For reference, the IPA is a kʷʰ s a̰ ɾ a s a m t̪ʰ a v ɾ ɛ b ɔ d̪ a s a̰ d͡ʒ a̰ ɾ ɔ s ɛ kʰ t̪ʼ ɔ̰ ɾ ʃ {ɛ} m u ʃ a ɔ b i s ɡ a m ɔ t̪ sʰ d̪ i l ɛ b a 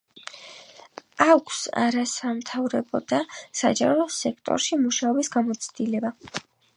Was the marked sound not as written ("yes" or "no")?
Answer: yes